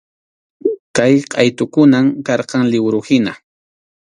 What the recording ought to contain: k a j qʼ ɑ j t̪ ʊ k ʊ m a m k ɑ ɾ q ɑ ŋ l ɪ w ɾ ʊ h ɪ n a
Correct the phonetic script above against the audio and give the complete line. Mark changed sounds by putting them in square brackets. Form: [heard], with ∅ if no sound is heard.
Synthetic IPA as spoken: k a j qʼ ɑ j t̪ ʊ k ʊ [n] a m k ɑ ɾ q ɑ ŋ l ɪ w ɾ ʊ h ɪ n a